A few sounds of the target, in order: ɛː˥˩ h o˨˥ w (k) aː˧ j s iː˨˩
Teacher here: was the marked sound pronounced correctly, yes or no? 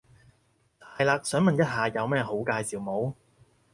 yes